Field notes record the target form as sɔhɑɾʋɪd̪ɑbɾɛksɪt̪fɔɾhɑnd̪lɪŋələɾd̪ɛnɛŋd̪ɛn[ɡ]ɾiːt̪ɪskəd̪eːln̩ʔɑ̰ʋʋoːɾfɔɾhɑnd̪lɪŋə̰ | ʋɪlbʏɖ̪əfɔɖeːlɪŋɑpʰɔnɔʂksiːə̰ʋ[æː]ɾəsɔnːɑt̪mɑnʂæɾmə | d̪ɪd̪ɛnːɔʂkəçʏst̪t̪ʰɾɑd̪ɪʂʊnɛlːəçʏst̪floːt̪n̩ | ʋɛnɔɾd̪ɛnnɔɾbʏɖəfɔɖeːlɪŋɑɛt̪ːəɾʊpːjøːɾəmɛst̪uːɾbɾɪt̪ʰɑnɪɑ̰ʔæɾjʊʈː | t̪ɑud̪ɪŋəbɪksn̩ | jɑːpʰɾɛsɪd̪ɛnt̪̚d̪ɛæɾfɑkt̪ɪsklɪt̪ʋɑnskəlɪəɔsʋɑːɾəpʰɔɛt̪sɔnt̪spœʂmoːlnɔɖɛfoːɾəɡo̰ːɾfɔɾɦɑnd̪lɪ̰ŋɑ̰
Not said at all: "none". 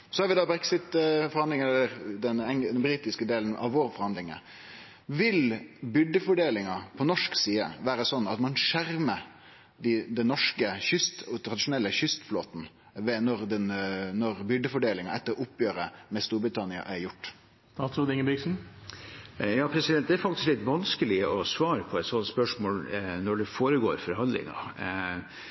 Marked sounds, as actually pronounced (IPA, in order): b, æː

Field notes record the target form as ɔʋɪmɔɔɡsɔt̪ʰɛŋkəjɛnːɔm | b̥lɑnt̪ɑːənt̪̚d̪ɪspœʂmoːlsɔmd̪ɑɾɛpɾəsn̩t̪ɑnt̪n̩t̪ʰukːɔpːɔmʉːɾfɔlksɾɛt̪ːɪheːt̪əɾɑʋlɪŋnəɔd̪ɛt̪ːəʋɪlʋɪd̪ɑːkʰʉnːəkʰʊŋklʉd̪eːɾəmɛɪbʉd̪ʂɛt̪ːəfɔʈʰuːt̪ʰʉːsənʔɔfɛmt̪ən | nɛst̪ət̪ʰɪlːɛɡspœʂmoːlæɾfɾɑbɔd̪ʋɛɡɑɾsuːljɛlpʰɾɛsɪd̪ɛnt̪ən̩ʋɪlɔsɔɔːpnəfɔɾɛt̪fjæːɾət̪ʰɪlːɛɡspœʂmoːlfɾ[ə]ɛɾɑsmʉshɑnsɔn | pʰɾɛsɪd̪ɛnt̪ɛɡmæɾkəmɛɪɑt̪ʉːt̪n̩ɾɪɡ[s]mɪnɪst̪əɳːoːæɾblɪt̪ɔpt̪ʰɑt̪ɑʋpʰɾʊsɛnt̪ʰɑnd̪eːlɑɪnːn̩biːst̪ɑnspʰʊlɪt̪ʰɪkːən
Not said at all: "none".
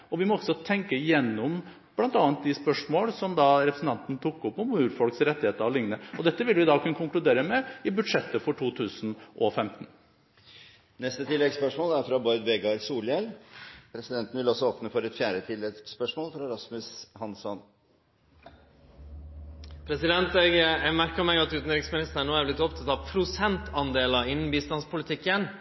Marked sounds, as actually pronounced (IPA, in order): ɑ, s

